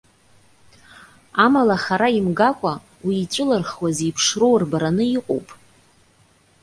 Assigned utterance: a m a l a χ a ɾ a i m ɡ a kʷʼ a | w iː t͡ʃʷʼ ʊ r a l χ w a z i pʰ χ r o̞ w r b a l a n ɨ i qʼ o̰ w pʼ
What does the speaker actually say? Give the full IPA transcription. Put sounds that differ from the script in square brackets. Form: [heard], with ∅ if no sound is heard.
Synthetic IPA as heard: a m a l a χ a ɾ a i m ɡ a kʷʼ a | w iː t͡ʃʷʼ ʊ [l] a [r] χ w a z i pʰ [ʂ] r o̞ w r b a [ɾ] a n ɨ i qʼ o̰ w pʼ

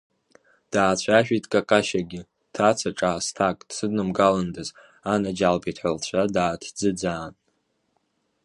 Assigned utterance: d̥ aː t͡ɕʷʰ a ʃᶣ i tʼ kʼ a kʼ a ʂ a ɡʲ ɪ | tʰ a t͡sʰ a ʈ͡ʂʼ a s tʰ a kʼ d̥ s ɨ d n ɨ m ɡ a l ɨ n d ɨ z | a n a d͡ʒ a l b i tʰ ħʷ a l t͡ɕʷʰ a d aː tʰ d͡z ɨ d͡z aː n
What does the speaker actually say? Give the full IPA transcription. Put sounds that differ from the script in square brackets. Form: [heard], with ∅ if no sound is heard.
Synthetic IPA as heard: d̥ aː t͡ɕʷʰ a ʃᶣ i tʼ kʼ a kʼ a [ʃ] a ɡʲ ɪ | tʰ a t͡sʰ a ʈ͡ʂʼ a s tʰ a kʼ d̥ s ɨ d n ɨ m ɡ a l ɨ n d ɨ z | a n a d͡ʒ a l b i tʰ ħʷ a l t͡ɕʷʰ a d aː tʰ d͡z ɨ d͡z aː n

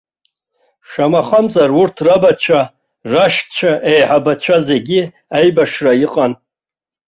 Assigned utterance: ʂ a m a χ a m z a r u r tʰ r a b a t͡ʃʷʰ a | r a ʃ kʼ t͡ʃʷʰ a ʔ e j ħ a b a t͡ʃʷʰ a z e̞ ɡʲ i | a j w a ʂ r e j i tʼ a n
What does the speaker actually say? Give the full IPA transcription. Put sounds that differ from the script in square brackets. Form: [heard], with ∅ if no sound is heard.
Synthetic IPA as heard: ʂ a m a χ a m z a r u r tʰ r a b a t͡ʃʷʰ a | r a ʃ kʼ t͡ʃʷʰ a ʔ e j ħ a b a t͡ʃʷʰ a z e̞ ɡʲ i | a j [b] a ʂ r [a] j i [qʼ] a n

